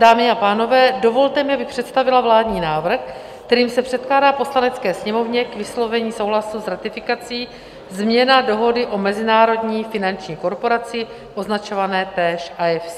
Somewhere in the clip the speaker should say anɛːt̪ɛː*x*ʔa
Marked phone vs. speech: incorrect: ʃ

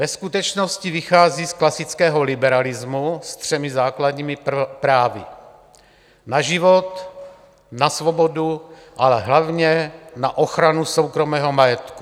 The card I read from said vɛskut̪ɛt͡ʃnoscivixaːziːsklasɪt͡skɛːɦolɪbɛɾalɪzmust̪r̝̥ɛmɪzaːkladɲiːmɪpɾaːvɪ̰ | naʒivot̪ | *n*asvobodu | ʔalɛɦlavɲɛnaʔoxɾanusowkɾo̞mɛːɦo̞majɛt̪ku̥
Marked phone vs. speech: correct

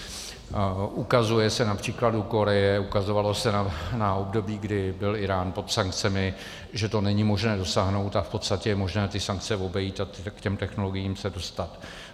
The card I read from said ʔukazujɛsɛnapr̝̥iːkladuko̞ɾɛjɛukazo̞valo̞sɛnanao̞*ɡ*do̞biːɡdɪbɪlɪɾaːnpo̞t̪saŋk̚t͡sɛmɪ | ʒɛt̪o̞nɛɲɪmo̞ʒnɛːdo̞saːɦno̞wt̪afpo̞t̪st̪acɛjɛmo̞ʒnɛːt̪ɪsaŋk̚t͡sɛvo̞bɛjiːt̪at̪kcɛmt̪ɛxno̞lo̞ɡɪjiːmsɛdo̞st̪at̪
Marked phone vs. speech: incorrect: b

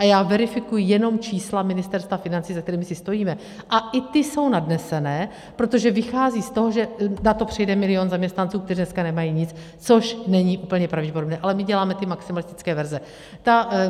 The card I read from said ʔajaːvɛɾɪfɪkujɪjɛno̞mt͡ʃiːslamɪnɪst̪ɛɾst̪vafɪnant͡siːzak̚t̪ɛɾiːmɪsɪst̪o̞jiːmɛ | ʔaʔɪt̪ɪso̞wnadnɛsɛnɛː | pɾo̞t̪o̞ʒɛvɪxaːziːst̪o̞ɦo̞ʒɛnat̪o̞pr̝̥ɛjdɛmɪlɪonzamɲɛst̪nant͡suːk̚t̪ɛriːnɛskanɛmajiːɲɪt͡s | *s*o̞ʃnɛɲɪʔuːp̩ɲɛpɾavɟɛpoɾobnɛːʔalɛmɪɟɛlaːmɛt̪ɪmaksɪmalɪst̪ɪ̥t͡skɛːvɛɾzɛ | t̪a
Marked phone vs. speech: incorrect: t͡s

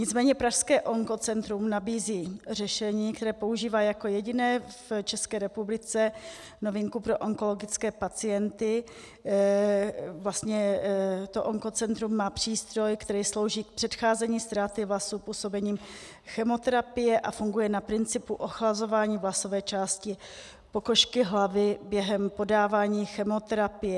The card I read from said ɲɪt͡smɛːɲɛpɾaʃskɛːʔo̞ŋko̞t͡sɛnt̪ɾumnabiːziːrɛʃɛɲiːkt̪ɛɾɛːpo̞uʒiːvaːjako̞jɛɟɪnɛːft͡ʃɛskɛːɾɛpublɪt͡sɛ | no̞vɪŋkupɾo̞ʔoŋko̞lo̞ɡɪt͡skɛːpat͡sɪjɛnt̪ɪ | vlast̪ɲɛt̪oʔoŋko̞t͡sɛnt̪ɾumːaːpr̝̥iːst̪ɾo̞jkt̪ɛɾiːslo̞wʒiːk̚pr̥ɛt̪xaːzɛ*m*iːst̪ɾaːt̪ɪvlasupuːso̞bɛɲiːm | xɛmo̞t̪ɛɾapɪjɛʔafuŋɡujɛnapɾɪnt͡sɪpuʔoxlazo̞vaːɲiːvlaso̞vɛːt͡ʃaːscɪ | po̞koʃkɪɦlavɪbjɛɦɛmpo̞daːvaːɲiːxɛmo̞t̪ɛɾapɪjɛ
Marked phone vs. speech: incorrect: ɲ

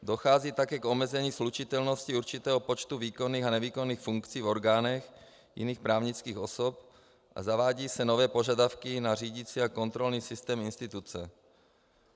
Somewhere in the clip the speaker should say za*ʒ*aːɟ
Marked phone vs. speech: incorrect: v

